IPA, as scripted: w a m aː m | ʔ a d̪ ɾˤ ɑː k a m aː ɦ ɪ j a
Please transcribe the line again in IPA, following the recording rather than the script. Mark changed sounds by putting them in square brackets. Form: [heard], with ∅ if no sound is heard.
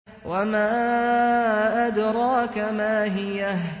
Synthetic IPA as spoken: w a m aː [∅] | ʔ a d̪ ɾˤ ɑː k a m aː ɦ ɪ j a